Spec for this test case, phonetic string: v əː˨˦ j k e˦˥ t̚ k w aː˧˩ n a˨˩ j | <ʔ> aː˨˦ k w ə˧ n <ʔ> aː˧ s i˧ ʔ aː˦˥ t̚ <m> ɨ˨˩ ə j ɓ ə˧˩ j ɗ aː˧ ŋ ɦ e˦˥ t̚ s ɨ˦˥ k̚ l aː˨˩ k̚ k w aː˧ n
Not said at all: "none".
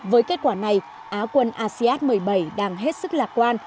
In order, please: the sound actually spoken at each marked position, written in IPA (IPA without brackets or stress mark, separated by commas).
ʔ, ʔ, m